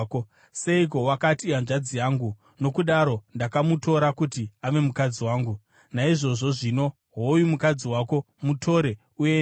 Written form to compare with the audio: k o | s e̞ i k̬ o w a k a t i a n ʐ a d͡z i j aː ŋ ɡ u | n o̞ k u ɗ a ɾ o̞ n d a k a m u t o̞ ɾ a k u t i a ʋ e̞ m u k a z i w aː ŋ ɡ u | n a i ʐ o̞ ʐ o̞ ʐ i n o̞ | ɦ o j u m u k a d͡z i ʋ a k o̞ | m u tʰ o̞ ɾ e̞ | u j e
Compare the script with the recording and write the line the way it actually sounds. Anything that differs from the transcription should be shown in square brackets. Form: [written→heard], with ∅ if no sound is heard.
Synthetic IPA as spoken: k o | s e̞ i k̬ o w a k a t i a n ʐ a d͡z i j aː ŋ ɡ u | n o̞ k u ɗ a ɾ o̞ n d a k a m u t o̞ ɾ a k u t i a ʋ e̞ m u k a [z→d͡z] i w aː ŋ ɡ u | n a i ʐ o̞ ʐ o̞ ʐ i n o̞ | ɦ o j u m u k a d͡z i [ʋ→w] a k o̞ | m u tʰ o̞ ɾ e̞ | u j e